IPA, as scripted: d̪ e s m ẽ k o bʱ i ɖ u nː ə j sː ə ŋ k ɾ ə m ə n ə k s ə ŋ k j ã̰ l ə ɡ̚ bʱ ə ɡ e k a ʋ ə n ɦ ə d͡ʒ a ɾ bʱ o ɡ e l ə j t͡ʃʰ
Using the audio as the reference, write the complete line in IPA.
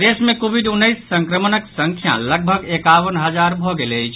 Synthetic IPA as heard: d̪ e s m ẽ k o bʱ i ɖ u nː ə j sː ə ŋ k ɾ ə m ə n ə k s ə ŋ kʰ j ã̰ l ə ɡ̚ bʱ ə ɡ e k a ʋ ə n ɦ ə d͡ʒ a ɾ bʱ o ɡ e l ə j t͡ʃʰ